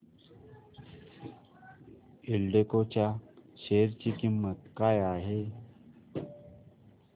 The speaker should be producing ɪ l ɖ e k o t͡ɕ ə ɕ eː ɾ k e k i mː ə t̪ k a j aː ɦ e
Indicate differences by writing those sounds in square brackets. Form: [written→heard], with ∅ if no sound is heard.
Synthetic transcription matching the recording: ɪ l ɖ e k o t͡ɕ [ə→a] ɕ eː ɾ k [e→i] k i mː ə t̪ k a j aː ɦ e